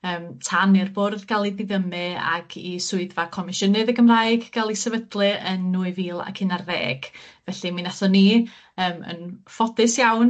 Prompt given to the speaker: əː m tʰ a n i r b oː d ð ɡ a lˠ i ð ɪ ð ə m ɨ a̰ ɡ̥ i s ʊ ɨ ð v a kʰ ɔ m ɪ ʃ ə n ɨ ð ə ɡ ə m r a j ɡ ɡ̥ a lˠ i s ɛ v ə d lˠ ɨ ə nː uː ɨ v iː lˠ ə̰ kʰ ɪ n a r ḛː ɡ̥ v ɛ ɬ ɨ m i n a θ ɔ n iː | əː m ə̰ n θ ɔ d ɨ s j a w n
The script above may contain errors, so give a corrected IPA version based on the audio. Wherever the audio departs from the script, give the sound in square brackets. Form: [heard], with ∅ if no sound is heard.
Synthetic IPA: əː m tʰ a n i r b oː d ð ɡ a lˠ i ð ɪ ð ə m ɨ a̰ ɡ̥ i s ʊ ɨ ð v a kʰ ɔ m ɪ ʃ ə n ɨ ð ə ɡ ə m r a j ɡ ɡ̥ a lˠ i s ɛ v ə d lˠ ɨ ə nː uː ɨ v iː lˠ [a̰] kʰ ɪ n a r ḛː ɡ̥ v ɛ ɬ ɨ m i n a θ ɔ n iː | əː m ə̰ n [f] ɔ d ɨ s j a w n